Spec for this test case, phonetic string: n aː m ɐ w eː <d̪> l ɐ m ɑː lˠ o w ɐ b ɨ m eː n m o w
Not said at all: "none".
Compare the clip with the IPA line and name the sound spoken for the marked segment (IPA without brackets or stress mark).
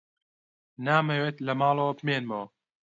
t̪